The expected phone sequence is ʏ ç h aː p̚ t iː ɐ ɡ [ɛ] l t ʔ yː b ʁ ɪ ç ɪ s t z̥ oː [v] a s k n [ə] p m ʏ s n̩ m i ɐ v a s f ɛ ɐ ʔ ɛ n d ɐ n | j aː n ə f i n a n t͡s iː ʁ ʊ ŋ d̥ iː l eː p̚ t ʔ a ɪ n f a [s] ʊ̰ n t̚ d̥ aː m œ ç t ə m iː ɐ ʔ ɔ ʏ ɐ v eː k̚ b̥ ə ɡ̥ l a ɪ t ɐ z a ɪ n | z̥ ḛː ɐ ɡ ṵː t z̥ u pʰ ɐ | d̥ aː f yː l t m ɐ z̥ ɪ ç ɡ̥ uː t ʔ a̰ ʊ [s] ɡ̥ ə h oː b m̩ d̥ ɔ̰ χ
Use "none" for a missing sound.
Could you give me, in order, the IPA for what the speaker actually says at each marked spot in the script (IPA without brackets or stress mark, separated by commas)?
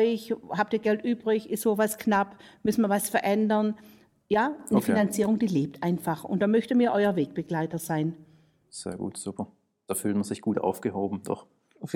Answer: ɛ, v, a, χ, f